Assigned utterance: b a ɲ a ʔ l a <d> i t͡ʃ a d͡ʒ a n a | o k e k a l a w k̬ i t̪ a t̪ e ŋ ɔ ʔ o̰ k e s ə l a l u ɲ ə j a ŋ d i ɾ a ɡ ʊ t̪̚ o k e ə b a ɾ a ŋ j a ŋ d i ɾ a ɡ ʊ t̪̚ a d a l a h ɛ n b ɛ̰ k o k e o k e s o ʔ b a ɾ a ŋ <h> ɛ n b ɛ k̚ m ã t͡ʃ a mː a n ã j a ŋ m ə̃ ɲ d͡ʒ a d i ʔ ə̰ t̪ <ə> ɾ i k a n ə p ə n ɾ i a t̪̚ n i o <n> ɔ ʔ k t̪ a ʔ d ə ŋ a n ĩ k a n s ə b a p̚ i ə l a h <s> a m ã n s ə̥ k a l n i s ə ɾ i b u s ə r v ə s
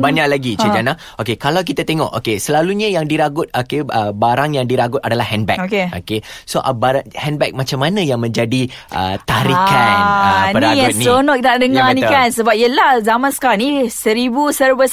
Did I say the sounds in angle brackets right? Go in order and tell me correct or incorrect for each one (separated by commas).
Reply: incorrect, correct, incorrect, correct, incorrect